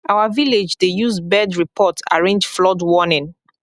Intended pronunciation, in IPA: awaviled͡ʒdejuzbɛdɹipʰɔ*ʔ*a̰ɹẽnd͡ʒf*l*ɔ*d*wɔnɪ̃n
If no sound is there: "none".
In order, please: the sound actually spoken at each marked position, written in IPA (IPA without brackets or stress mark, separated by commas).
t, l, d